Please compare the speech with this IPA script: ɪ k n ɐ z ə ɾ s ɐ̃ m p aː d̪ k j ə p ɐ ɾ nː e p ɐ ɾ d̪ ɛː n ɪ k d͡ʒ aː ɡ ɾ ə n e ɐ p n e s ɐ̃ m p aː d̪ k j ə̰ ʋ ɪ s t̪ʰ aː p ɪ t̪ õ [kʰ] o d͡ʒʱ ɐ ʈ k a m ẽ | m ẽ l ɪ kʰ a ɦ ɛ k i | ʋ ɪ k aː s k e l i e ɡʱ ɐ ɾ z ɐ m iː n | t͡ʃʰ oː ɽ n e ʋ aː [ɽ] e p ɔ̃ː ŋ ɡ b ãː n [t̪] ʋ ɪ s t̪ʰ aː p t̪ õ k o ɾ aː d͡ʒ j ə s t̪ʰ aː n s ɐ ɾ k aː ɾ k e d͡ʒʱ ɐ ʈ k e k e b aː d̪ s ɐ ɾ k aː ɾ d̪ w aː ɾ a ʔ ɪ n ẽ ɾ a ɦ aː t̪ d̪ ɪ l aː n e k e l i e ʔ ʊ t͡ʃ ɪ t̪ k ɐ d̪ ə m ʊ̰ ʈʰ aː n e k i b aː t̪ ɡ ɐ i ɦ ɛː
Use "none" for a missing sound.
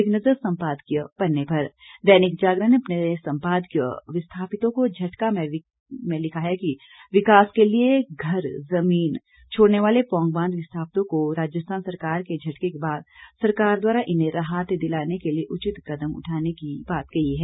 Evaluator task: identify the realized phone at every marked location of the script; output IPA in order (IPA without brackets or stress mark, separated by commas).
k, l, d̪